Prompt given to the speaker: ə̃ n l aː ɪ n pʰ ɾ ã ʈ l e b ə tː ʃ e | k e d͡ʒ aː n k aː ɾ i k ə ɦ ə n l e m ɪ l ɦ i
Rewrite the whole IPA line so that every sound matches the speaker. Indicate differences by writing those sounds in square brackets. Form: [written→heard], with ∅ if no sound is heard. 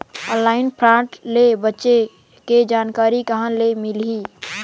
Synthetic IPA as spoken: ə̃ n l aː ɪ n pʰ ɾ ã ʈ l e b ə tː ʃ e | k e d͡ʒ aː n k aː ɾ i k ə ɦ ə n l e m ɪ l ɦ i

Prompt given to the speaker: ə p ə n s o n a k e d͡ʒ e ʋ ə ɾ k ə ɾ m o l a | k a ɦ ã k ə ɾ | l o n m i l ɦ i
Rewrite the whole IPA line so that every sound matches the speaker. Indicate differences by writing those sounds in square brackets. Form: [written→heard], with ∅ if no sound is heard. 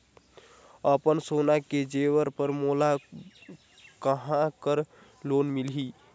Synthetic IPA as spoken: ə p ə n s o n a k e d͡ʒ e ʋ ə ɾ [k→p] ə ɾ m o l a | k [a→ə] ɦ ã k ə ɾ | l o n m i l ɦ i

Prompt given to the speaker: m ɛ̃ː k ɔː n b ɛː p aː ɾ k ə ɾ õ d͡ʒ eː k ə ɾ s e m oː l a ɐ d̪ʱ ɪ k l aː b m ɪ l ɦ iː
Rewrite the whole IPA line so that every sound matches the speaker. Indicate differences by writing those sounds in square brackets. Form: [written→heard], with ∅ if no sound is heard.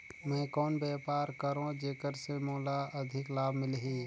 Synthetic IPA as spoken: m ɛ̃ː k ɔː n b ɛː p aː ɾ k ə ɾ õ d͡ʒ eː k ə ɾ s e m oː l a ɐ d̪ʱ ɪ k l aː b m ɪ l ɦ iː

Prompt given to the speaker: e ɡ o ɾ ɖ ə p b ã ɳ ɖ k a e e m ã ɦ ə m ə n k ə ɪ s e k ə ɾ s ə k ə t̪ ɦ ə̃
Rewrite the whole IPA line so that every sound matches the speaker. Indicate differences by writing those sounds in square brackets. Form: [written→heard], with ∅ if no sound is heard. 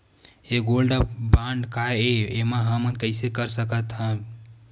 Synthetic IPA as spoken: e ɡ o [ɾ→l] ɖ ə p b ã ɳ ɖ k a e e m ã ɦ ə m ə n k ə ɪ s e k ə ɾ s ə k ə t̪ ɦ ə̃

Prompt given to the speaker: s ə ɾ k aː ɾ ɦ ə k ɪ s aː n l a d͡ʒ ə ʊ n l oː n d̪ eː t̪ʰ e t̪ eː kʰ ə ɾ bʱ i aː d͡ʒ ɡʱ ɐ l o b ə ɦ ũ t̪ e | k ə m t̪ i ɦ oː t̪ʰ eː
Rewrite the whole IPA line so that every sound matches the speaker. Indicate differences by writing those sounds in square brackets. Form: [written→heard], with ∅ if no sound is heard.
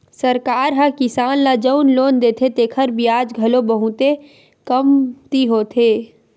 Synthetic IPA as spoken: s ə ɾ k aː ɾ ɦ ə k ɪ s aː n l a d͡ʒ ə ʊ n l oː n d̪ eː t̪ʰ e t̪ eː kʰ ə ɾ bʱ i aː d͡ʒ ɡʱ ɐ l o b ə ɦ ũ t̪ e | k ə m t̪ i ɦ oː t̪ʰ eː

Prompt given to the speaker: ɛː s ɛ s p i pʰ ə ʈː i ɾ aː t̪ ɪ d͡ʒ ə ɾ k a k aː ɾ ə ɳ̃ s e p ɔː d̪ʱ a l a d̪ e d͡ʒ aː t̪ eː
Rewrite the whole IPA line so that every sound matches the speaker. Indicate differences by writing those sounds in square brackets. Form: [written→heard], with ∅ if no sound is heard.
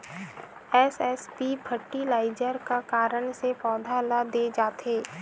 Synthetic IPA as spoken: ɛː s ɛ s p i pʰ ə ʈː i [ɾ→l] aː [t̪→∅] ɪ d͡ʒ ə ɾ k a k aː ɾ ə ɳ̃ s e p ɔː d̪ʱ a l a d̪ e d͡ʒ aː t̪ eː

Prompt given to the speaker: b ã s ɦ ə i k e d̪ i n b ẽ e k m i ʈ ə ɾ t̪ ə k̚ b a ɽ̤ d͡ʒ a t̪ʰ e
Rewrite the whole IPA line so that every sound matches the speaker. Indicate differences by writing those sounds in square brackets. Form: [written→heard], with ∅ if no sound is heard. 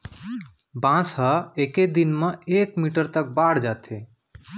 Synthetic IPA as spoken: b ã s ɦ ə [i→e] k e d̪ i n [b→m] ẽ e k m i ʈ ə ɾ t̪ ə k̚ b a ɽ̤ d͡ʒ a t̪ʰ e

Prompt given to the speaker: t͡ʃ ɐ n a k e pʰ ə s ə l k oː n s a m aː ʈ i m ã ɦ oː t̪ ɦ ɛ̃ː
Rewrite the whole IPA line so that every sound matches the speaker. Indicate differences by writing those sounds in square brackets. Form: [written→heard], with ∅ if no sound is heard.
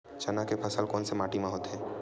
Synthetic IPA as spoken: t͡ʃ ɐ n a k e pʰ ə s ə l k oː n s [a→e] m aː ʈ i m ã ɦ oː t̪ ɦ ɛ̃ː

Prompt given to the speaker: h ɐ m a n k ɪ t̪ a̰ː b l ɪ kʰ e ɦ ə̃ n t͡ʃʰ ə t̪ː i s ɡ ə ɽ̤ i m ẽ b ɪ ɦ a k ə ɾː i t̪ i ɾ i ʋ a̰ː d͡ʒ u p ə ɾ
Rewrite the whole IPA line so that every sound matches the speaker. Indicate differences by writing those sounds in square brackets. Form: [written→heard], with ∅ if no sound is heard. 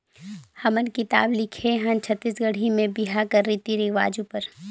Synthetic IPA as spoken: h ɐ m [a→ə] n k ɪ t̪ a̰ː b l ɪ kʰ e ɦ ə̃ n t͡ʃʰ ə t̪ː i s ɡ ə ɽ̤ i m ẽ b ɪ ɦ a k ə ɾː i t̪ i ɾ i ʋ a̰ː d͡ʒ u p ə ɾ

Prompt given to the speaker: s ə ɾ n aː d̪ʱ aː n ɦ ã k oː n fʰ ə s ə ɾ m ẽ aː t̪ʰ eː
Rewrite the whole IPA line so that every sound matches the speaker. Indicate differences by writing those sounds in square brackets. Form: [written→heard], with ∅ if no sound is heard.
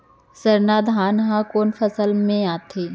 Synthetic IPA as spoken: s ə ɾ n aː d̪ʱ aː n ɦ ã k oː n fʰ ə s ə [ɾ→l] m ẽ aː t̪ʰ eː

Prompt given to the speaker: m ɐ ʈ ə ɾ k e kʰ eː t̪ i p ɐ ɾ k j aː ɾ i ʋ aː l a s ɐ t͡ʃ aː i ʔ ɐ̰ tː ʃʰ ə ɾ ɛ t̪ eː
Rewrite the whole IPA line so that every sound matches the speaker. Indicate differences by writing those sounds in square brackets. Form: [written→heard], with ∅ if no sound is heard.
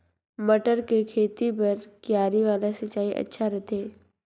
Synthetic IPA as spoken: m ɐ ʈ ə ɾ k e kʰ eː t̪ i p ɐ ɾ k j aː ɾ i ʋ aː l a s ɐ t͡ʃ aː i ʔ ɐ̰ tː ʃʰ [ə→a] ɾ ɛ t̪ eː

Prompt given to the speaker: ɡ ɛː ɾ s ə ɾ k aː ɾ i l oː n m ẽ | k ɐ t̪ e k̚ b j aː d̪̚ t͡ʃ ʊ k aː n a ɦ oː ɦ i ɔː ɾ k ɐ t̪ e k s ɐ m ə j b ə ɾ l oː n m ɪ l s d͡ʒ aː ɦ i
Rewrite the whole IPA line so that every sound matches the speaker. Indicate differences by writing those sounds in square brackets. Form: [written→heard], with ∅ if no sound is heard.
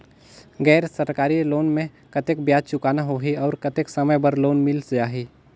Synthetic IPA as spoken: ɡ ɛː ɾ s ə ɾ k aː ɾ i l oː n m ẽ | k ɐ t̪ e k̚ b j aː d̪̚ t͡ʃ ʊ k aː n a ɦ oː ɦ i ɔː ɾ k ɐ t̪ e k s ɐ m ə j b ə ɾ l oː n m ɪ l s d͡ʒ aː ɦ i

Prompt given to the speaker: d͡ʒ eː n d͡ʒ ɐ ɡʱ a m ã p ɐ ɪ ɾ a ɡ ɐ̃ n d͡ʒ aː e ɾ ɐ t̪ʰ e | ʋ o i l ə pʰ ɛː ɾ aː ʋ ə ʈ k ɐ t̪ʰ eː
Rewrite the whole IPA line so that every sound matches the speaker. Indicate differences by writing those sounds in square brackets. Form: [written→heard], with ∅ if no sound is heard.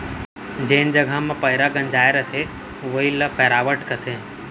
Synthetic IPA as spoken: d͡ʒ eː n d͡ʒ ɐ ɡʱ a m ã p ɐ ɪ ɾ a ɡ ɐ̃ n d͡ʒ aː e ɾ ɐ t̪ʰ e | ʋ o i l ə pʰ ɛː ɾ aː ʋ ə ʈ k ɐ t̪ʰ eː

